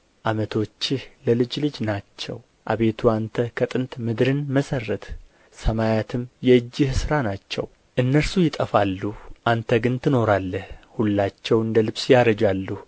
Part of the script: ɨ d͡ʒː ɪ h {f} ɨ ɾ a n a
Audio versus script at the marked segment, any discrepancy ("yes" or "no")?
yes